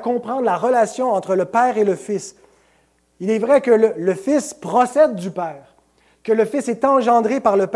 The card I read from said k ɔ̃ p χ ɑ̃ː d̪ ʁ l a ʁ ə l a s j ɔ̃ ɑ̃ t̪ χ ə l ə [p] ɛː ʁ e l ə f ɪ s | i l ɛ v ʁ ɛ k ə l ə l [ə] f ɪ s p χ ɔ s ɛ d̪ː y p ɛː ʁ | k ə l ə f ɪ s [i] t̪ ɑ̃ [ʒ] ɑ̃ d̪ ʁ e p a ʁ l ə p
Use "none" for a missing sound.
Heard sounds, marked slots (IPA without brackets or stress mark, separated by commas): p, ə, ɛ, ʒ